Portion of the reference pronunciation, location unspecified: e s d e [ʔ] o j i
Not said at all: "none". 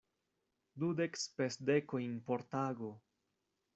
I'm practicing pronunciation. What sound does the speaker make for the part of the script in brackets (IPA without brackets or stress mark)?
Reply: k